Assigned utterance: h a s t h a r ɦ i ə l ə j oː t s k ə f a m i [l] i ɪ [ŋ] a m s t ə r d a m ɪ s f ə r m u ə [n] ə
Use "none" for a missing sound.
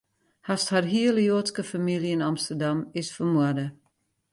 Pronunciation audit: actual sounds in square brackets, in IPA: l, n, d

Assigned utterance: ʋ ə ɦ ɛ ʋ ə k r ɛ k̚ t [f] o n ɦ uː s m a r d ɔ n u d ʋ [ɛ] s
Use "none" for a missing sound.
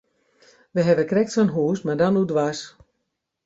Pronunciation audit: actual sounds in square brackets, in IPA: s, a

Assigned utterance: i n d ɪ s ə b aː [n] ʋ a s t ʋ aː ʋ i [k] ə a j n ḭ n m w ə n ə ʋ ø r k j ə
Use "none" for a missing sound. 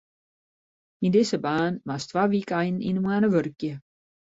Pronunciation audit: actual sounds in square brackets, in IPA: n, k

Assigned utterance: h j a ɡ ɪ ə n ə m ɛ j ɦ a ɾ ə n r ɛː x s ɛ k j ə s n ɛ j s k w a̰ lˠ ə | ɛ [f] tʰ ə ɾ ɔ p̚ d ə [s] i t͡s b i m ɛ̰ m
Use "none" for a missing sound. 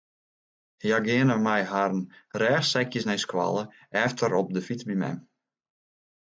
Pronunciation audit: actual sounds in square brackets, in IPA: f, f

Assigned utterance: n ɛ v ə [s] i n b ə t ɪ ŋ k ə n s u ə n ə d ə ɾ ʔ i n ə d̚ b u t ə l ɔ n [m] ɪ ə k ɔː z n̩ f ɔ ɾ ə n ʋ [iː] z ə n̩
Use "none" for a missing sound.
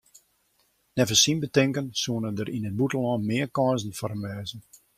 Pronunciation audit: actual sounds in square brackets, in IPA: s, m, ɛː

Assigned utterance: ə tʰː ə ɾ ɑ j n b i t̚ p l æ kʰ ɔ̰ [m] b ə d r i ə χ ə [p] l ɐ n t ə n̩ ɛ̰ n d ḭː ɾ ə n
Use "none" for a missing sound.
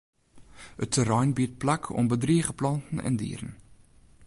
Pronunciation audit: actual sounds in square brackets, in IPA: m, p

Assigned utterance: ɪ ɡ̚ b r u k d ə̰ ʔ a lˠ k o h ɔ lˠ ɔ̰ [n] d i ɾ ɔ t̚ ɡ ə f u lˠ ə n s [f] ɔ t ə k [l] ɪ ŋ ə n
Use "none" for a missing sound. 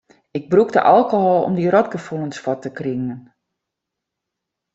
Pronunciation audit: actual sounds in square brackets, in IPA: m, f, r

